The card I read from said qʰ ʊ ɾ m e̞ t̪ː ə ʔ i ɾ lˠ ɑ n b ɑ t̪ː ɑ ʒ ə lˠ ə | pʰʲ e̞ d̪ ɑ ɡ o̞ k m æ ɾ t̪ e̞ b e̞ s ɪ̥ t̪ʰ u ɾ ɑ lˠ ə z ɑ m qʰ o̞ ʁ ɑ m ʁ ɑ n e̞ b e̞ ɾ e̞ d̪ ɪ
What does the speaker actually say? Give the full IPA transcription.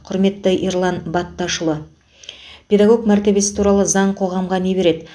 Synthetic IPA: qʰ ʊ ɾ m e̞ t̪ː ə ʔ i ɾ lˠ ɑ n b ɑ t̪ː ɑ ʃ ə lˠ ə | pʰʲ e̞ d̪ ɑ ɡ o̞ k m æ ɾ t̪ e̞ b e̞ s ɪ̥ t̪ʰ u ɾ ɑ lˠ ə z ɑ ɴ qʰ o̞ ʁ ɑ m ʁ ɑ n e̞ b e̞ ɾ e̞ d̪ ɪ